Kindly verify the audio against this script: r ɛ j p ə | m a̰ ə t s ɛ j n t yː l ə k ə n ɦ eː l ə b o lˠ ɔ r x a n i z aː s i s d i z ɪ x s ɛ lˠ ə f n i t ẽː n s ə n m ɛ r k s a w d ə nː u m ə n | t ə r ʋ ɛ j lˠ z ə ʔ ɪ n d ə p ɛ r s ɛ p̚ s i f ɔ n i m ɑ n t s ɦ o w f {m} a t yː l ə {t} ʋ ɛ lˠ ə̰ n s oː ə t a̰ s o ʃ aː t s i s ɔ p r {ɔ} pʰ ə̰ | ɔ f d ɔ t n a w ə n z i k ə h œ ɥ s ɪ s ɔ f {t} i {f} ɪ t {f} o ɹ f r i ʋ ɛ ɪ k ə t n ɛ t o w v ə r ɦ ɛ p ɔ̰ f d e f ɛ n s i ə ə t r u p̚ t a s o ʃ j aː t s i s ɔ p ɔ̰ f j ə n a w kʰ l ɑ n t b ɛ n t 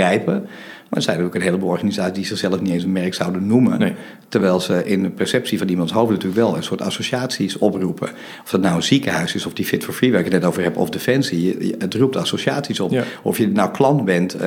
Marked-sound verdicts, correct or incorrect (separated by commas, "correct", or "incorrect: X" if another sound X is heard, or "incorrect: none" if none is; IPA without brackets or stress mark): incorrect: n, incorrect: k, incorrect: u, incorrect: d, correct, correct